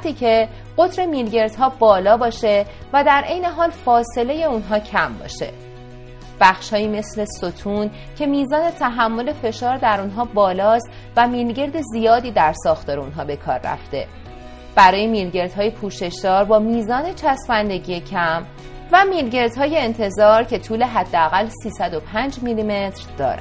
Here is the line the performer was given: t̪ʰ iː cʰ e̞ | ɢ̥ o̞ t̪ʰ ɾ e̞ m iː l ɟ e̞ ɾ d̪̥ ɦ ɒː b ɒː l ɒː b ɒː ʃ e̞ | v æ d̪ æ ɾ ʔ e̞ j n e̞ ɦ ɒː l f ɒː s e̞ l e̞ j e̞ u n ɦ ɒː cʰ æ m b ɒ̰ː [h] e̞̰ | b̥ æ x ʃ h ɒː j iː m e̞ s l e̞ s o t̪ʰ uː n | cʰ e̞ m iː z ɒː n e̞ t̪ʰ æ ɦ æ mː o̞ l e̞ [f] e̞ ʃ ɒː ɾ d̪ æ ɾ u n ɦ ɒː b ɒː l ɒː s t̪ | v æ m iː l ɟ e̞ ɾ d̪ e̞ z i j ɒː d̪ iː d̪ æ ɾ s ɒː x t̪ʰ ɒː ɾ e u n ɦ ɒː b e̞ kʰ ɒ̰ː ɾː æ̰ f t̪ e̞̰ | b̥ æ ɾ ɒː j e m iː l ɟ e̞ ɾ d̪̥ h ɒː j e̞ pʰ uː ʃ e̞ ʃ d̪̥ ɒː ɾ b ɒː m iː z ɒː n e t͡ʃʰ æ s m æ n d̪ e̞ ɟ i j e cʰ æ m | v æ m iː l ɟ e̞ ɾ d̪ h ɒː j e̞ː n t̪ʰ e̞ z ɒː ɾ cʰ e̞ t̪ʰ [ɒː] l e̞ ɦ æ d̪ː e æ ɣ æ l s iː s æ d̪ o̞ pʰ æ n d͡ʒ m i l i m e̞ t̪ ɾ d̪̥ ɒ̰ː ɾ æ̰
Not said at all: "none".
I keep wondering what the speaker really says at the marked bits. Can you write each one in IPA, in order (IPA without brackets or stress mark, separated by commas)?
ʃ, f, uː